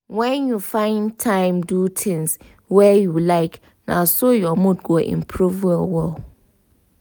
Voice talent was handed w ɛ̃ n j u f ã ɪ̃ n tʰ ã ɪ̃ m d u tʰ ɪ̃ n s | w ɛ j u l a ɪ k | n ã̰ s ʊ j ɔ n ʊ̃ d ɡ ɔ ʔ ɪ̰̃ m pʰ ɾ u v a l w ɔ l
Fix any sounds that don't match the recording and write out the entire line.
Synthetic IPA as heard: w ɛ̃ n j u f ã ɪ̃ n tʰ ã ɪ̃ m d u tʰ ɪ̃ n s | w ɛ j u l a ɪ k | n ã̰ s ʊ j ɔ m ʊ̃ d ɡ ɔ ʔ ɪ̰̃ m pʰ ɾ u v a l w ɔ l